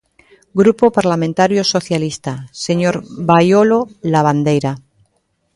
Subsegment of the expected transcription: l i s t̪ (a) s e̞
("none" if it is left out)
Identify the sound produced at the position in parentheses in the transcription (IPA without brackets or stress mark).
a